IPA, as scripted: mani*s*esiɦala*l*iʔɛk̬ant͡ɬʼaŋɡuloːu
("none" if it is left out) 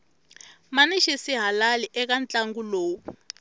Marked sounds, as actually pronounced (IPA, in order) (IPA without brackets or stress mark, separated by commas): ʃ, l